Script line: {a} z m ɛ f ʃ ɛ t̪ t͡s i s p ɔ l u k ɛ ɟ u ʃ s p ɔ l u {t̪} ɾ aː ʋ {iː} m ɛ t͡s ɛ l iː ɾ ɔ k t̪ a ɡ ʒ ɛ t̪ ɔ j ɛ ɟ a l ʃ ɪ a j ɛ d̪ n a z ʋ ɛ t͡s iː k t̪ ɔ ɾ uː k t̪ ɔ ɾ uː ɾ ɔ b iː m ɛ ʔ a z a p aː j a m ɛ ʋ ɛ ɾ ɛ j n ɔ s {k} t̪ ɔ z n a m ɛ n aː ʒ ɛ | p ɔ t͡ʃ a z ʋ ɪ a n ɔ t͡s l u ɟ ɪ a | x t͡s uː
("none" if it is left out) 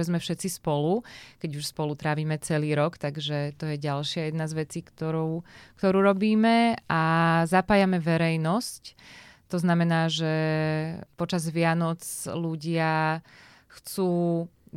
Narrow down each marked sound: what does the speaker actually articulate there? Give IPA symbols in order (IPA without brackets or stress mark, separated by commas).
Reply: ɛ, t̪, iː, c